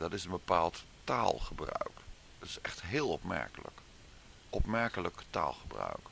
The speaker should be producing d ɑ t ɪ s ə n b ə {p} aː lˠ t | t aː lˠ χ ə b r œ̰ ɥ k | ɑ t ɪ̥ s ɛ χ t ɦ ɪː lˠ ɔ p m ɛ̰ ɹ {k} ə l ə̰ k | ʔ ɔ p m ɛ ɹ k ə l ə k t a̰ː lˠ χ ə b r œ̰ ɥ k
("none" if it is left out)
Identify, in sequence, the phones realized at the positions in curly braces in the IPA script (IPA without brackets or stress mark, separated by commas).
p, k